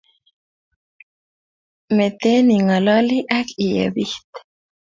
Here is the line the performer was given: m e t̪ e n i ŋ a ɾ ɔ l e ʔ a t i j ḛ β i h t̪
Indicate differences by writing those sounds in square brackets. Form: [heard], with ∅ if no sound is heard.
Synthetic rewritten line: m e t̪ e n i ŋ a [l] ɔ l [i] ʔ a [k] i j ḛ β i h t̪